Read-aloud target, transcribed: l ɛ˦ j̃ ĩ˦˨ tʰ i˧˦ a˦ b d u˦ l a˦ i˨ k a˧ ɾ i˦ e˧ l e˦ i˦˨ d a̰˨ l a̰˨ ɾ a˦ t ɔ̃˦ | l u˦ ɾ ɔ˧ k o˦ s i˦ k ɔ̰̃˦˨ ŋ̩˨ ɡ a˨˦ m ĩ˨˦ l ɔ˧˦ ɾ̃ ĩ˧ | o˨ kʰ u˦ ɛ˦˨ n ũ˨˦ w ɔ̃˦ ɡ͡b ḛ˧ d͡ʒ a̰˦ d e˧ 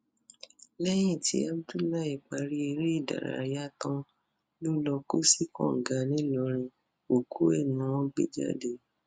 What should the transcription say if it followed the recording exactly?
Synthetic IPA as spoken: l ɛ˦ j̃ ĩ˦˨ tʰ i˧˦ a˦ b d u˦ l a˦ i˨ k͡p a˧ ɾ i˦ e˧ ɾ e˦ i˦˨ d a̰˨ ɾ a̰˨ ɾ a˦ t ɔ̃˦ | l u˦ l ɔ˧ k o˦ s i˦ k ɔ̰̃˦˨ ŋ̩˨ ɡ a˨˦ n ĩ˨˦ l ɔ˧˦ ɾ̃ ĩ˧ | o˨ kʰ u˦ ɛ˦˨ n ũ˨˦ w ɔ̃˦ ɡ͡b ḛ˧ d͡ʒ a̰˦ d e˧

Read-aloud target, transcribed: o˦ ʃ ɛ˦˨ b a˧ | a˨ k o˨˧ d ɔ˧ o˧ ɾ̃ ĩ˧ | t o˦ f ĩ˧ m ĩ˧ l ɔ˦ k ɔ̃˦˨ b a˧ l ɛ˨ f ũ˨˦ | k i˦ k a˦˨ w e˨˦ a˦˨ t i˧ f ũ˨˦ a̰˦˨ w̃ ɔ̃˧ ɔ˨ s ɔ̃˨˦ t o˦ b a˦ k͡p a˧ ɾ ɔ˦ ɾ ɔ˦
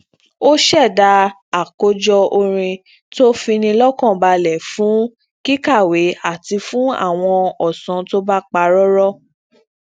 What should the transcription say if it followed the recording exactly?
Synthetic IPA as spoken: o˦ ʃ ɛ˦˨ d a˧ | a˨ k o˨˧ d͡ʒ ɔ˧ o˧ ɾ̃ ĩ˧ | t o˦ f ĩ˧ n ĩ˧ l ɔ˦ k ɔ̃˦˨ b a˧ l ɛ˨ f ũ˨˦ | k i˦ k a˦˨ w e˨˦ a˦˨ t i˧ f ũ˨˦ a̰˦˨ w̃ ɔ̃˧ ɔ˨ s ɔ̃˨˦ t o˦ b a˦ k͡p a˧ ɾ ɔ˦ ɾ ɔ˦

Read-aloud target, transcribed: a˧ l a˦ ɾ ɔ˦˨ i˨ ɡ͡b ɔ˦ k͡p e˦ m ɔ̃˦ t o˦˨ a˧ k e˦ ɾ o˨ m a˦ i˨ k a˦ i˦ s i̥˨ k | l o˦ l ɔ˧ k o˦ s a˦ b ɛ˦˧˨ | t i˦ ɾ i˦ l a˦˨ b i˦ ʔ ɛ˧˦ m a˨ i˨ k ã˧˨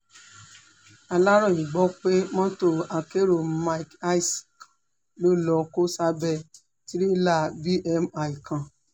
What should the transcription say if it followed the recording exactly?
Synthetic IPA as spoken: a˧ l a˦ ɾ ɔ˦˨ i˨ ɡ͡b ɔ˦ k͡p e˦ m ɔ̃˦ t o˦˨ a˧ k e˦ ɾ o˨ m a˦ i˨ k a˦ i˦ s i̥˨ k | l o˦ l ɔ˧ k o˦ s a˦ b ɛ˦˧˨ | t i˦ ɾ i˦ l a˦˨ b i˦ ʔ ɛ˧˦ m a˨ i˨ k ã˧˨

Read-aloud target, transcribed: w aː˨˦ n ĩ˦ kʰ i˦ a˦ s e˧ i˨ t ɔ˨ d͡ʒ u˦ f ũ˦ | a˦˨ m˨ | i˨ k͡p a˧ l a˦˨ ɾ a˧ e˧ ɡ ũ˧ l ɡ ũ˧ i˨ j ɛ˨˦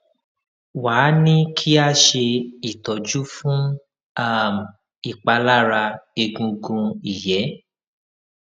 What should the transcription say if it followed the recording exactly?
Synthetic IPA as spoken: w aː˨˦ n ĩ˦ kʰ i˦ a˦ ʃ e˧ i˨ t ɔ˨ d͡ʒ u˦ f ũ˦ | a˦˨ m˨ | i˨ k͡p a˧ l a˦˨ ɾ a˧ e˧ ɡ ũ˧ ɡ ũ˧ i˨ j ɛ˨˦

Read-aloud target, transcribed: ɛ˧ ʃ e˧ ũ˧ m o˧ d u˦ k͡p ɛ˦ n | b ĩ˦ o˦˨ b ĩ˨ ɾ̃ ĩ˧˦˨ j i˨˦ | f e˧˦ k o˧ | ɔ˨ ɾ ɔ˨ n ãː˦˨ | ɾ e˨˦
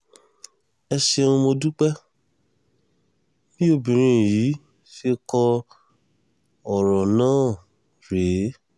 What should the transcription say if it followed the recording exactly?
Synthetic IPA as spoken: ɛ˧ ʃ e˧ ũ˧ m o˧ d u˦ k͡p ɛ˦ | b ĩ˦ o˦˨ b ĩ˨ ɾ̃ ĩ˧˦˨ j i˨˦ | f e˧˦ k ɔ˧ | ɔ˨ ɾ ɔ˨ n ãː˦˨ | ɾ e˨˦

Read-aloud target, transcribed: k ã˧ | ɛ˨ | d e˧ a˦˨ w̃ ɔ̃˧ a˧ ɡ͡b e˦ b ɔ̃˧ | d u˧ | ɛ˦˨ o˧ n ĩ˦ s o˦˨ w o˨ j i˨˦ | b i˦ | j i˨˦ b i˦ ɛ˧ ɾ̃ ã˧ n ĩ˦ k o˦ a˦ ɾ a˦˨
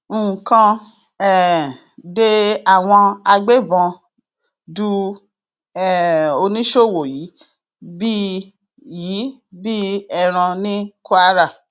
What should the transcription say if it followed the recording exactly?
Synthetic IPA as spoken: k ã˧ | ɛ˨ | d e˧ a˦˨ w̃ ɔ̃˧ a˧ ɡ͡b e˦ b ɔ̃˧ | d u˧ | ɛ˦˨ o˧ n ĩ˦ ʃ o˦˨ w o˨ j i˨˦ | b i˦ | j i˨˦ b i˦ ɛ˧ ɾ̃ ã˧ n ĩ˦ k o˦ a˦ ɾ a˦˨

